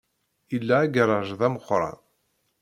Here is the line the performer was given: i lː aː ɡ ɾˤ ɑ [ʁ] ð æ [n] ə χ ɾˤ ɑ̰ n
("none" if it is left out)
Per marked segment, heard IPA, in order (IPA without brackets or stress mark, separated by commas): ʒ, m